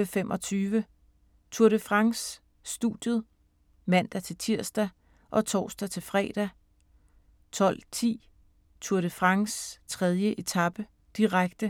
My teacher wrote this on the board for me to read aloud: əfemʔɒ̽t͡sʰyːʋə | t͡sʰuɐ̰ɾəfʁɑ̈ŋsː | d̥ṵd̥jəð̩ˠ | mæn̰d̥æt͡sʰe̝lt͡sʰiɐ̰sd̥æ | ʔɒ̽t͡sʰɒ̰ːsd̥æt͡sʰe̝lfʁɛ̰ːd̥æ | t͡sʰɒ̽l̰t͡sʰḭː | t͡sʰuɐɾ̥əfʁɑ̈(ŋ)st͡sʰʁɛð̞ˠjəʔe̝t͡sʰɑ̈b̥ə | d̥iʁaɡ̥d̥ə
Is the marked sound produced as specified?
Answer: yes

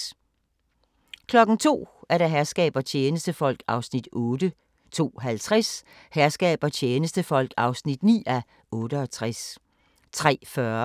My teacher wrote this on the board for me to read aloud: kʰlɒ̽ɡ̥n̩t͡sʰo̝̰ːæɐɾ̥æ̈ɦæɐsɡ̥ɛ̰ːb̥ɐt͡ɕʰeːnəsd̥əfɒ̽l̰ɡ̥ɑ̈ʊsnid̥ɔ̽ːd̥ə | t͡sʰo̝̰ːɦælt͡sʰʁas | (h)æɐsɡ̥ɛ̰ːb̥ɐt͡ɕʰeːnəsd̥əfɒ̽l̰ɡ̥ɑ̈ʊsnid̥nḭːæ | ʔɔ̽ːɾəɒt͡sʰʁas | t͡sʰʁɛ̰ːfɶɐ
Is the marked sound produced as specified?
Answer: yes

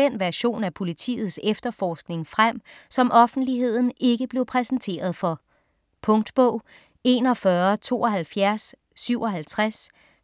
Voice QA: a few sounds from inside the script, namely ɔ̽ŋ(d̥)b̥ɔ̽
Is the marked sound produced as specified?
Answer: yes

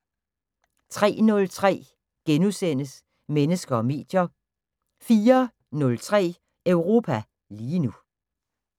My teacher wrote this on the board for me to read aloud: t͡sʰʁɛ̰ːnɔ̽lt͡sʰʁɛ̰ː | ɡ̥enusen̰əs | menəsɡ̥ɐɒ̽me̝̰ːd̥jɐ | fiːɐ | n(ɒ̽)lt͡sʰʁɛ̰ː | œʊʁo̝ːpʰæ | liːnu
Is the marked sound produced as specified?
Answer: no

